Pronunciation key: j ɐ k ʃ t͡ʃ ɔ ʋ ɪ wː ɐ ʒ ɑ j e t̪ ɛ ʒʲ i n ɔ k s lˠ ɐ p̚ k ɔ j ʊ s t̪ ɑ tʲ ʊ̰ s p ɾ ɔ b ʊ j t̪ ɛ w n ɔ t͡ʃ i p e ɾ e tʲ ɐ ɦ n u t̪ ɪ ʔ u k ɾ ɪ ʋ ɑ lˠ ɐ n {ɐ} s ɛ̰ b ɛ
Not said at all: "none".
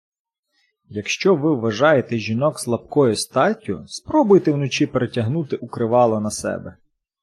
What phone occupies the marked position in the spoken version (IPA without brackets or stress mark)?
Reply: ɐ